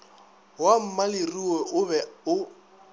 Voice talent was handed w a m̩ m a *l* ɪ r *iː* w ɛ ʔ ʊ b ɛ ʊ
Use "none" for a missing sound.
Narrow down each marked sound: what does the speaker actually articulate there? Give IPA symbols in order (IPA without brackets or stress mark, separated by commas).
l, i